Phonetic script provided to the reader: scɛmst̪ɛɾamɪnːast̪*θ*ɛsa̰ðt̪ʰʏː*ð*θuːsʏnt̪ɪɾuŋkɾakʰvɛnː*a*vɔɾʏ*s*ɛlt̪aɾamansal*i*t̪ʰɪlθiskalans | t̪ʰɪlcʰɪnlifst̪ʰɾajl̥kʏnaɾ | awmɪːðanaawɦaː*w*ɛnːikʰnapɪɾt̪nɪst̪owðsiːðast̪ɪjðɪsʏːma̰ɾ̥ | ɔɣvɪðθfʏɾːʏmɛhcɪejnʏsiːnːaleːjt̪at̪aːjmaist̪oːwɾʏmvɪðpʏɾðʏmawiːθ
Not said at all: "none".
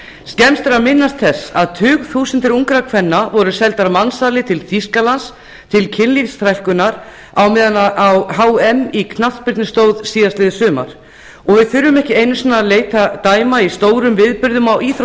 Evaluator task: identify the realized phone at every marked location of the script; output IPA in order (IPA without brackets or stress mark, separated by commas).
θ, ɣ, a, s, ɪ, w